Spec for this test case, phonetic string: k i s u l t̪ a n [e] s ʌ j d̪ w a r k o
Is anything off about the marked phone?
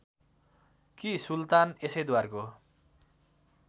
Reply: no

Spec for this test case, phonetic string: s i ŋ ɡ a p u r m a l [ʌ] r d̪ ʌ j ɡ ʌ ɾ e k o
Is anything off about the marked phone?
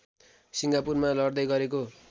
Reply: no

